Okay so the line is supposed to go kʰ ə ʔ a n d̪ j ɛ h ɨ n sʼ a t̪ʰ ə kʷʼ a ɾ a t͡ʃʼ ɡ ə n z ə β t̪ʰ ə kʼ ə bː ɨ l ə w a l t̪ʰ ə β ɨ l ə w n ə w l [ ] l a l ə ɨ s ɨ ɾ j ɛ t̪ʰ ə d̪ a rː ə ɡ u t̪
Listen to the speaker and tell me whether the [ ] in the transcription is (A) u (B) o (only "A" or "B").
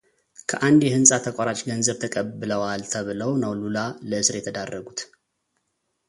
A